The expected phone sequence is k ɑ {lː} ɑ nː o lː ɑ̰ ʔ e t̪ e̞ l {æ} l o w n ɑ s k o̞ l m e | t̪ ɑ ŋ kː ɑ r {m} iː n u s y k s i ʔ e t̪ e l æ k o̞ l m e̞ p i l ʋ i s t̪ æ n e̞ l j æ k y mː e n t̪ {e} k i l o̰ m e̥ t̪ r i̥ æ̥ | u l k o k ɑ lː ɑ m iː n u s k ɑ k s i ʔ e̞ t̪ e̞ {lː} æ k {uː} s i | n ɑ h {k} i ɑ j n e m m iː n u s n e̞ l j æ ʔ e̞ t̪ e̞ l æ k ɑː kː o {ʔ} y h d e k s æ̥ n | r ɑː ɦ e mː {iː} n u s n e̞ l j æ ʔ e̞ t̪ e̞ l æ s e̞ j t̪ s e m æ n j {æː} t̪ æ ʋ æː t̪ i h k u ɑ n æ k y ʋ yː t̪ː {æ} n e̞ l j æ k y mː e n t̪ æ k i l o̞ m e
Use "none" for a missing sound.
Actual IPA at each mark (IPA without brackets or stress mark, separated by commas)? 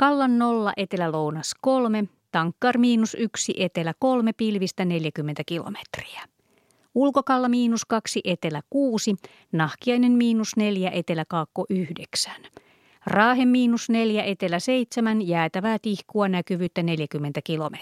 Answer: lː, æ, m, æ, l, uː, k, ʔ, iː, æː, æ